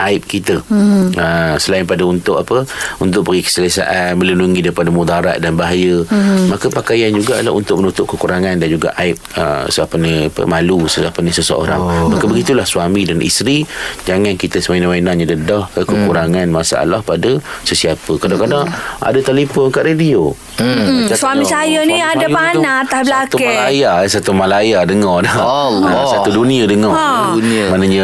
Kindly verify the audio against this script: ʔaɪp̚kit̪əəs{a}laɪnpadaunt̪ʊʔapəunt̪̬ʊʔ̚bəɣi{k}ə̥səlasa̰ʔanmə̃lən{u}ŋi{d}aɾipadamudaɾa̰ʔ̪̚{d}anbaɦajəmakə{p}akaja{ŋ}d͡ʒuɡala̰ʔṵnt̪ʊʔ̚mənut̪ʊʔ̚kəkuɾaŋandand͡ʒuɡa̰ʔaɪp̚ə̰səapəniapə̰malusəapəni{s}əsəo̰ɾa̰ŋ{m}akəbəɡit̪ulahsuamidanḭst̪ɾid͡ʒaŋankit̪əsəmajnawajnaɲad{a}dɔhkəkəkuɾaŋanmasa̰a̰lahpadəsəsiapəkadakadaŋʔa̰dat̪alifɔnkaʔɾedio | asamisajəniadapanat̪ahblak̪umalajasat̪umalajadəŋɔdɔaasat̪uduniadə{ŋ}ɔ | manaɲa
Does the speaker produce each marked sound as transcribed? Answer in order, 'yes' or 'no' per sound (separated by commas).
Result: no, yes, yes, yes, yes, yes, no, yes, yes, no, yes